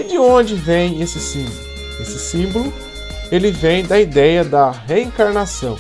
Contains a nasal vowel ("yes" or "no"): yes